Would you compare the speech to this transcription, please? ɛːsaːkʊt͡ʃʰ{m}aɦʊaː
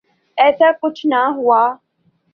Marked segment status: incorrect: n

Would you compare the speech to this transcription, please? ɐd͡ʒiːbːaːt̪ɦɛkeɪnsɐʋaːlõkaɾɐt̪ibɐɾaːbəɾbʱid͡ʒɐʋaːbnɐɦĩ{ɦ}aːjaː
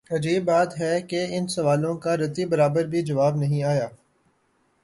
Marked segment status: incorrect: none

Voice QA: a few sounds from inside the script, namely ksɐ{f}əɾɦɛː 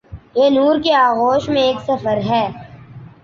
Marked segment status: correct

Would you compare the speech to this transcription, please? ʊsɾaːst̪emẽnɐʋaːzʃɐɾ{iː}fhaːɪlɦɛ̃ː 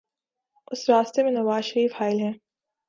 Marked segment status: correct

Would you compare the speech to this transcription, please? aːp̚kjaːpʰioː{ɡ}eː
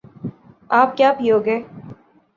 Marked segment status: correct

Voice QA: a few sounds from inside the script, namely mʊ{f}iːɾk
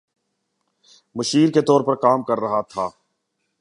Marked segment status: incorrect: ʃ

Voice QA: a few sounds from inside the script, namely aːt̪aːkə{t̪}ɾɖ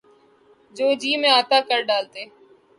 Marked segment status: incorrect: none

